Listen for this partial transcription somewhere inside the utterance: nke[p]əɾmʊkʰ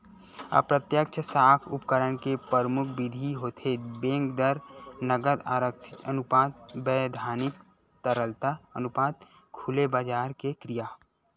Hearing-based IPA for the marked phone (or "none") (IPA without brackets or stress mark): p